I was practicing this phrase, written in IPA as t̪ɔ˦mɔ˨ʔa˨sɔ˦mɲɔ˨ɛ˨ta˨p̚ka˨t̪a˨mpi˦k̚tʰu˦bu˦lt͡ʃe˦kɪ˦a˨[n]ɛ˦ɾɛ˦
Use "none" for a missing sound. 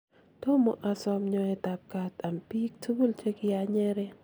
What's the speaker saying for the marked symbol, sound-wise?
ɲ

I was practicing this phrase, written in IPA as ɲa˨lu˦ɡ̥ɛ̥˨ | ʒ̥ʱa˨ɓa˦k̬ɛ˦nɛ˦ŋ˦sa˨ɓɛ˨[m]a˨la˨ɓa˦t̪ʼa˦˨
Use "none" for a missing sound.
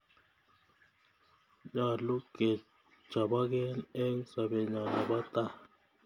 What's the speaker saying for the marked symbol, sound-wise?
ɲ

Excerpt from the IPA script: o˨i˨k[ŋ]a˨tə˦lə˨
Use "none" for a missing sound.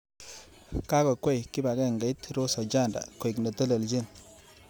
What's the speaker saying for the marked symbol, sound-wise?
n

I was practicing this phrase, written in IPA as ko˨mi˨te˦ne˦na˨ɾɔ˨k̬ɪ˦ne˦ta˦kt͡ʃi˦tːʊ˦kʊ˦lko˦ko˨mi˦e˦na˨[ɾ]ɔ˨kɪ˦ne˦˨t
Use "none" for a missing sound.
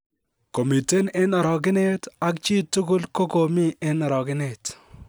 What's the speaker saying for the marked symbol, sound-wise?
ɾ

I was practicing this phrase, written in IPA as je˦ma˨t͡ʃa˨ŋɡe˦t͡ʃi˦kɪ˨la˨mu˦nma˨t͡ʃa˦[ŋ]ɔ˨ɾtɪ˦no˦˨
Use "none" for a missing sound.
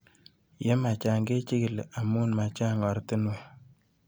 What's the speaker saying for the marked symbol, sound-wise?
ŋ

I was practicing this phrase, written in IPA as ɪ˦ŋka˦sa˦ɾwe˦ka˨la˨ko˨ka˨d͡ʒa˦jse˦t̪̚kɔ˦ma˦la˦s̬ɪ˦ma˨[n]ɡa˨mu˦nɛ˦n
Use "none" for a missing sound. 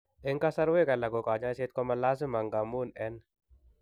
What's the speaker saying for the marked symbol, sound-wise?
ŋ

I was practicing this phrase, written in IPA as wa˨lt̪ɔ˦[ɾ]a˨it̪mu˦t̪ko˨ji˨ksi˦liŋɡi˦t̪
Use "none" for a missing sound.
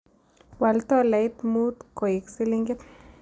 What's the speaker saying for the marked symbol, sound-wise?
l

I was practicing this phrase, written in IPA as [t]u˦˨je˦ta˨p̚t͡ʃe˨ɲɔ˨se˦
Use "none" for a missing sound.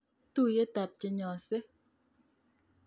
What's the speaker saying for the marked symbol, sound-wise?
t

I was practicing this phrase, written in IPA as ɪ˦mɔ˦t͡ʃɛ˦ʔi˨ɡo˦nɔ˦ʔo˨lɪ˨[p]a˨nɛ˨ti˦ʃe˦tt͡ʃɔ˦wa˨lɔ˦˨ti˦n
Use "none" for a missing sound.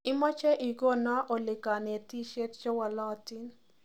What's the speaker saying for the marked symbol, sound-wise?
k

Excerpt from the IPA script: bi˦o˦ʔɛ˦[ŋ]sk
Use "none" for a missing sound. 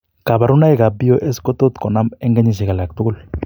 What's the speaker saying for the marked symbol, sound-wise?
none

